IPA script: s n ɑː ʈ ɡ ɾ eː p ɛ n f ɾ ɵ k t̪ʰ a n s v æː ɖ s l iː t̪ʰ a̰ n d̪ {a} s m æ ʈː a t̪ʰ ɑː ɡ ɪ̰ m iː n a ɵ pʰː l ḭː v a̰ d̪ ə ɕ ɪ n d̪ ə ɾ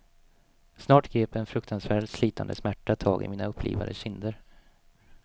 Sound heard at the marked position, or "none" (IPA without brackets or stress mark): ə